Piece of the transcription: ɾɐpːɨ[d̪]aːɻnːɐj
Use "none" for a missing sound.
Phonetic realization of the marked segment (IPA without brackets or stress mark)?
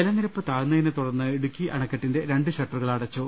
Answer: t̪